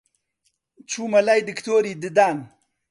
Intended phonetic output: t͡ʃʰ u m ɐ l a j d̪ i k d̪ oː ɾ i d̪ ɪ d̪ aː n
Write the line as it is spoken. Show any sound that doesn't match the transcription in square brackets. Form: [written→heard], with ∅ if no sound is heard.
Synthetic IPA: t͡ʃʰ u m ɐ l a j d̪ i k [d̪→t̪] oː ɾ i d̪ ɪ d̪ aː n

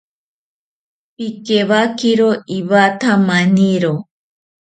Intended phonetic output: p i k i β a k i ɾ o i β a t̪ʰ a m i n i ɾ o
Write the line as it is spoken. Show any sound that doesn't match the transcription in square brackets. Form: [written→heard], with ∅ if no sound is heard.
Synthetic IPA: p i k [i→e] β a k i ɾ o i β a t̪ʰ a m [i→a] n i ɾ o

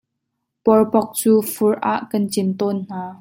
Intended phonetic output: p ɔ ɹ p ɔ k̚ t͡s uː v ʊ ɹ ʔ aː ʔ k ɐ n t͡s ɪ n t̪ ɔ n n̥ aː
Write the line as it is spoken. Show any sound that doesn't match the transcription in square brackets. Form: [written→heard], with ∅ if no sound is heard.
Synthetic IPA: p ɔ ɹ p ɔ k̚ t͡s uː [v→f] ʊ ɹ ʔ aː ʔ k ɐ n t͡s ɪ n t̪ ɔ n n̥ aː

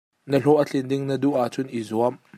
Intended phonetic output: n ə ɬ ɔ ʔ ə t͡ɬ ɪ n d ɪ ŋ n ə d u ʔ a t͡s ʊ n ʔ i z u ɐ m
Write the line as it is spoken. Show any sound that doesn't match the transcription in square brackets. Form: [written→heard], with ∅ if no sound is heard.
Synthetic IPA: n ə ɬ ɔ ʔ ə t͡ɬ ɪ n d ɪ ŋ n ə d u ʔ a t͡s ʊ n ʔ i z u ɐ m

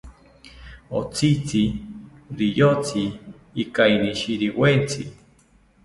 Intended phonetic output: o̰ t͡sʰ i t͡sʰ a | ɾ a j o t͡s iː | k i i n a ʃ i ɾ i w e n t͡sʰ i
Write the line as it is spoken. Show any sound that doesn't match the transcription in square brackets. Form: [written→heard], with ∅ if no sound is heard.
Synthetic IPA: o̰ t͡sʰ i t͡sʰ [a→i] | ɾ [a→i] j o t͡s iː | k [i→a] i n [a→i] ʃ i ɾ i w e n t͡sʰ i

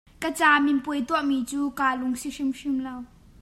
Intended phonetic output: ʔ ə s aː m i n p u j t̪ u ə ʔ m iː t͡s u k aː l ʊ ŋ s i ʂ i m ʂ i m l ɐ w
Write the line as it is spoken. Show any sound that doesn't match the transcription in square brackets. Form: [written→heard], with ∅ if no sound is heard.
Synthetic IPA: [ʔ→k] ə [s→t͡s] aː m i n p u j t̪ u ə ʔ m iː t͡s [u→uː] k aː l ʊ ŋ s i ʂ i m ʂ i m l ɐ w

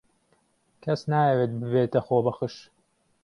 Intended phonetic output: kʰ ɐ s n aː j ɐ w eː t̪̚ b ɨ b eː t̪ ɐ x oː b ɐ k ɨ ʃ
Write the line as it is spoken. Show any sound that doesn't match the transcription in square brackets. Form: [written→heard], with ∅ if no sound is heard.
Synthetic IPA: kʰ ɐ s n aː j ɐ w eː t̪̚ b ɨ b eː t̪ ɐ x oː b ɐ [k→x] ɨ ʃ

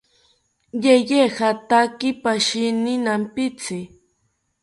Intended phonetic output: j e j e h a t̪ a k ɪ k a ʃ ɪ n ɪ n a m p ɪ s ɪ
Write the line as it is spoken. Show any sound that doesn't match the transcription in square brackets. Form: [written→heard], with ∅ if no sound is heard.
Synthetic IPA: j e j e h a t̪ a k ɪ [k→p] a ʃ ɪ n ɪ n a m p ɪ [s→t͡s] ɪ

